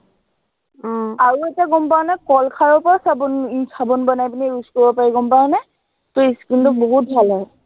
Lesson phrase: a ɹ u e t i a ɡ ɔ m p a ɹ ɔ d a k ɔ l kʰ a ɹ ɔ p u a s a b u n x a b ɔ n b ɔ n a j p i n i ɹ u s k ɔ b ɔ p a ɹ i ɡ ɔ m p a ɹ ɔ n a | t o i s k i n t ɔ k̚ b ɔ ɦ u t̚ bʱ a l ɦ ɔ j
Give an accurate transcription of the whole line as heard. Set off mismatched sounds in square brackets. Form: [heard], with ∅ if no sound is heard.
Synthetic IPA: a ɹ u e t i a ɡ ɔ m p a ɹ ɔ [n] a k ɔ l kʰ a ɹ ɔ p [ɔ] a s a b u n [s] a b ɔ n b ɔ n a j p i n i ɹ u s k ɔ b ɔ p a ɹ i ɡ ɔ m p a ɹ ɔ n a | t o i s k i n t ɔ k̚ b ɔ ɦ u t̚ bʱ a l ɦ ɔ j

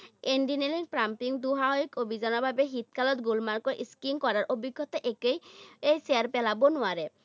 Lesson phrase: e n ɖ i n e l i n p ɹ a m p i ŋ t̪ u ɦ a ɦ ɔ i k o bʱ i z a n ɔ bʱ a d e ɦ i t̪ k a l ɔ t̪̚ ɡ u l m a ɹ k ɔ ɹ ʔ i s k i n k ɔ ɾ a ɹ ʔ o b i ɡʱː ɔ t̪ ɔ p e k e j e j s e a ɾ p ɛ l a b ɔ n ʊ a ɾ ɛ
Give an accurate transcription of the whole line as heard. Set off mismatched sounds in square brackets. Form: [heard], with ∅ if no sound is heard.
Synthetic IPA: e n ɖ i n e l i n p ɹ a m p i ŋ [d̪] u ɦ a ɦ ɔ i k o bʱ i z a n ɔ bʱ a [b] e ɦ i t̪ k a l ɔ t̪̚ ɡ u l m a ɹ k ɔ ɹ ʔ i s k i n k ɔ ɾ a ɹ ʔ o b i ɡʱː ɔ t̪ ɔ [ʔ] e k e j e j s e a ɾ p ɛ l a b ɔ n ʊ a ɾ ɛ

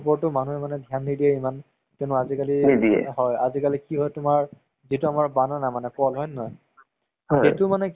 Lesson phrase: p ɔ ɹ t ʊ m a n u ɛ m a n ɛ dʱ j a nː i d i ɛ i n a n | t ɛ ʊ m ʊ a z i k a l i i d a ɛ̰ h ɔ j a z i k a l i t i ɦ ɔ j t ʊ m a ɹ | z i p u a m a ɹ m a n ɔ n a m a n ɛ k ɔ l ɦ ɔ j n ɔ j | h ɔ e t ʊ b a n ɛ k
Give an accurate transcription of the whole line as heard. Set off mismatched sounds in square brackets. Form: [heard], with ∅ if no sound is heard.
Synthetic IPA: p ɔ ɹ t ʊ m a n u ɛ m a n ɛ dʱ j a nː i d i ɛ i [m] a n | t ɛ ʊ [n] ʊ a z i k a l i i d [i] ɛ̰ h ɔ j a z i k a l i [k] i ɦ ɔ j t ʊ m a ɹ | z i [t] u a m a ɹ [b] a n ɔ n a m a n ɛ k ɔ l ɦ ɔ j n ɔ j | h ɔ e t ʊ [m] a n ɛ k

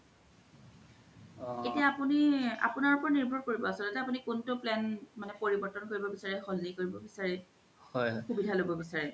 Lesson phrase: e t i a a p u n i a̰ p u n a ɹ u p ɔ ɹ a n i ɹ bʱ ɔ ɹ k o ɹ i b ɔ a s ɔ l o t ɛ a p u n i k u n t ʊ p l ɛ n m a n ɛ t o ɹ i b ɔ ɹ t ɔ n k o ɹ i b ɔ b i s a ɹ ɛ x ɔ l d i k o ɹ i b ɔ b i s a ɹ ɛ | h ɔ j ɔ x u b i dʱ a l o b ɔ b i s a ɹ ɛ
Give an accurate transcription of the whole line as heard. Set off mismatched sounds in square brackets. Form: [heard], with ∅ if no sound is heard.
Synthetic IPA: e t i a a p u n i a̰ p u n a ɹ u p ɔ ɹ a n i ɹ bʱ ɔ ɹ k o ɹ i b ɔ a s ɔ l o t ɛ a p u n i k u n t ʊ p l ɛ n m a n ɛ [p] o ɹ i b ɔ ɹ t ɔ n k o ɹ i b ɔ b i s a ɹ ɛ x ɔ l [n] i k o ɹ i b ɔ b i s a ɹ ɛ | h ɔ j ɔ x u b i dʱ a l o b ɔ b i s a ɹ ɛ

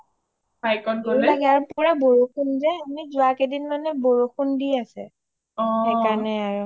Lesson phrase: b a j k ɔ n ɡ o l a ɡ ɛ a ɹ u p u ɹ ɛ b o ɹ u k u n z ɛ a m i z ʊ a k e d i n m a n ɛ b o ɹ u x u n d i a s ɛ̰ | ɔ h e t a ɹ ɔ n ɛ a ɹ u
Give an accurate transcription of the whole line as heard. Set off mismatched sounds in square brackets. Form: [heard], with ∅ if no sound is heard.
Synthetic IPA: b a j k ɔ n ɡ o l a ɡ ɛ a ɹ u p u ɹ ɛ b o ɹ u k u n z ɛ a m i z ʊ a k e d i n m a n ɛ b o ɹ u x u n d i a s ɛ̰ | ɔ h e [k] a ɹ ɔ n ɛ a ɹ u

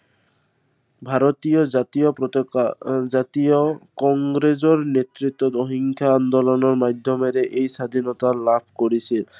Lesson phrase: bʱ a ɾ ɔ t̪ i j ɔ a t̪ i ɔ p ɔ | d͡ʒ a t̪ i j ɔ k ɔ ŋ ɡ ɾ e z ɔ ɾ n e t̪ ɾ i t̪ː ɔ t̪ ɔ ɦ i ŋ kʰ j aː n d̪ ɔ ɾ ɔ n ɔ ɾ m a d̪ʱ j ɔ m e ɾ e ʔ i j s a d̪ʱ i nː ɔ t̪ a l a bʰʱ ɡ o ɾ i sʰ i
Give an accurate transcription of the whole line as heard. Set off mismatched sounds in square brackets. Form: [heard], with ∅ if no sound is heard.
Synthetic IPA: bʱ a ɾ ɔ t̪ i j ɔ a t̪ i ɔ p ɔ | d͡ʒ a t̪ i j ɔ k ɔ ŋ ɡ ɾ e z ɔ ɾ n e t̪ ɾ i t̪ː ɔ t̪ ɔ ɦ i ŋ kʰ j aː n d̪ ɔ [l] ɔ n ɔ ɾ m a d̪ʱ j ɔ m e ɾ e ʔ [e] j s a d̪ʱ i [n] ɔ t̪ a l a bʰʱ [k] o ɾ i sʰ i

